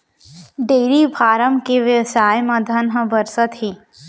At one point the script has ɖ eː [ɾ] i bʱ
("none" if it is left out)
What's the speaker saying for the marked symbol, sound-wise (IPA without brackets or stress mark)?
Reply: ɾ